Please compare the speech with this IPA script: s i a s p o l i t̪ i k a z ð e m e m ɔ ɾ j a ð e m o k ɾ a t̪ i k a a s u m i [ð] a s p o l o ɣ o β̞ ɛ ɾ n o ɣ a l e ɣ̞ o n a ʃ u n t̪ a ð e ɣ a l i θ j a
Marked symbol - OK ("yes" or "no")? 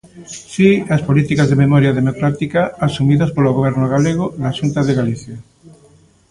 yes